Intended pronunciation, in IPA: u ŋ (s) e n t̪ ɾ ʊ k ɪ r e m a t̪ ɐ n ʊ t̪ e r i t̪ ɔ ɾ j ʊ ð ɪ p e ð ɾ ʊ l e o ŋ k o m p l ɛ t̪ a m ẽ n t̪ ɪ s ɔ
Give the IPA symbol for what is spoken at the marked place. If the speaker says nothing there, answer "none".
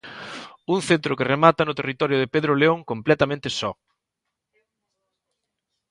θ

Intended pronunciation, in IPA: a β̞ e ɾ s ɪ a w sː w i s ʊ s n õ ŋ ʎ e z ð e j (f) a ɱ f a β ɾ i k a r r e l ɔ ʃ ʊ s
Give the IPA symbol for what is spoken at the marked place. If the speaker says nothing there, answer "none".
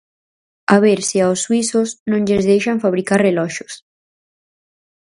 ʃ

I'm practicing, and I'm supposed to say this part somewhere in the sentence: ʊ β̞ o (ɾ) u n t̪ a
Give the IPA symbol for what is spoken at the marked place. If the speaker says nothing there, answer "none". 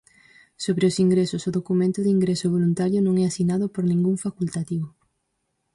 l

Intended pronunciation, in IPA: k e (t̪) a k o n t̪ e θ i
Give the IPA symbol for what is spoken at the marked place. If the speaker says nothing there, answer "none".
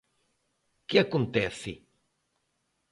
none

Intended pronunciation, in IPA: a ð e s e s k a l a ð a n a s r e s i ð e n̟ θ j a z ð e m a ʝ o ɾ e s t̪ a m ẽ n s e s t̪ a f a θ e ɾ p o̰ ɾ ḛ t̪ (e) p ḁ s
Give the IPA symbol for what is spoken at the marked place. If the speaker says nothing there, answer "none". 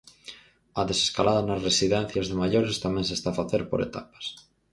a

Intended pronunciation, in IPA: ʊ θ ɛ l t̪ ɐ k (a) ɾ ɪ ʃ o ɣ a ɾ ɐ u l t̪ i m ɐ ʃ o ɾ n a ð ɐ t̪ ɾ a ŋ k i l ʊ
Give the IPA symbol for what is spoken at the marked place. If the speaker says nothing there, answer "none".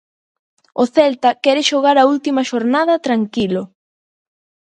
ɛ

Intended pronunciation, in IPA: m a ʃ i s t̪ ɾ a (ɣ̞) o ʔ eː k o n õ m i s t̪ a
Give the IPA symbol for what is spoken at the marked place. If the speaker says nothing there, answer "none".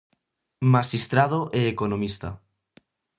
ð̞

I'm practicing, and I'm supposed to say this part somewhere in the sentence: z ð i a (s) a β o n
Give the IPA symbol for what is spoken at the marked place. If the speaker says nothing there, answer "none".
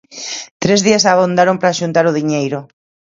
s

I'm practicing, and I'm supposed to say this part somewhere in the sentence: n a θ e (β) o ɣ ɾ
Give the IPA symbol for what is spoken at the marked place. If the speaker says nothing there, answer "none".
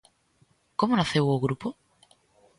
w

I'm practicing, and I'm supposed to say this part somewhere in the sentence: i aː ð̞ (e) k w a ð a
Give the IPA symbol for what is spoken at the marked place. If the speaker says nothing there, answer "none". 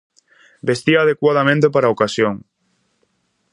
e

